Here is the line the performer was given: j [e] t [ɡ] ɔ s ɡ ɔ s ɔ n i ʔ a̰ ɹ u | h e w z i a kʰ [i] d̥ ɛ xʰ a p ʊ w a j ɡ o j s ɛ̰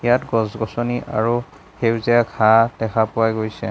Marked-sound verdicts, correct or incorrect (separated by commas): incorrect, correct, incorrect